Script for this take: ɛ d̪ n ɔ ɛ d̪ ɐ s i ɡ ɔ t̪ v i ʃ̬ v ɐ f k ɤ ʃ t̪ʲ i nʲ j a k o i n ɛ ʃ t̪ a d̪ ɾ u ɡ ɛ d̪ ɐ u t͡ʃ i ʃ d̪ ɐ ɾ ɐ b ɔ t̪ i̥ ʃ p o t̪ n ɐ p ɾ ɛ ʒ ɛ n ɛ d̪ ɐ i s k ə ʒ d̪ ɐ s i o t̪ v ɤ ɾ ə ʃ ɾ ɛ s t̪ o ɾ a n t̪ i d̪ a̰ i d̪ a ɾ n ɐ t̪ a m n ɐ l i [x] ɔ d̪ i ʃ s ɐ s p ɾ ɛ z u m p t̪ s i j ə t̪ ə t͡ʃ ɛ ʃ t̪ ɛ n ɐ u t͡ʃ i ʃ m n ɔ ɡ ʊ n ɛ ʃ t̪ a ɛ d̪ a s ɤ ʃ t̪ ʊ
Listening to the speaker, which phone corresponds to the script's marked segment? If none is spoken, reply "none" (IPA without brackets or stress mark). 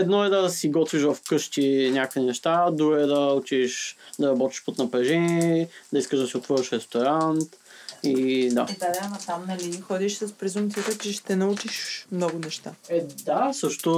x